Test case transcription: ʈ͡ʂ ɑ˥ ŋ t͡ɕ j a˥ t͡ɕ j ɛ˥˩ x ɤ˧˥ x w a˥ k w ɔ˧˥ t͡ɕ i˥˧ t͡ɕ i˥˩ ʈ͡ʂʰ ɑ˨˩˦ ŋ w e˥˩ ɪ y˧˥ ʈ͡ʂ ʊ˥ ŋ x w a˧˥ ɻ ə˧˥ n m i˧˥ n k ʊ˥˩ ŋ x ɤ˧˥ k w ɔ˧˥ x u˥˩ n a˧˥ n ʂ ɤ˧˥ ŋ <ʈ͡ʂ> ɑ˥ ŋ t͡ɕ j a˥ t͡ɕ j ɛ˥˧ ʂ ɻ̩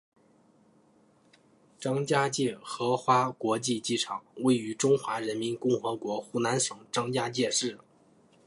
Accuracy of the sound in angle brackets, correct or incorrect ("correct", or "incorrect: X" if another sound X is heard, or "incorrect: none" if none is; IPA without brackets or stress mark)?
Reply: correct